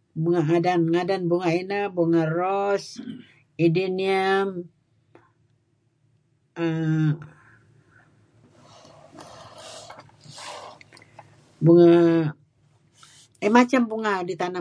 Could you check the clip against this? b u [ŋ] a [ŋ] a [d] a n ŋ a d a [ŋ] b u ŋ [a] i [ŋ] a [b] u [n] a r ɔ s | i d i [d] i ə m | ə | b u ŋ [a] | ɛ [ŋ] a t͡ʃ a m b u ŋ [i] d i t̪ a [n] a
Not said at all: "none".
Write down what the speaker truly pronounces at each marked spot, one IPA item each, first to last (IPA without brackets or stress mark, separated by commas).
ŋ, ŋ, d, n, a, n, b, ŋ, n, a, m, a, n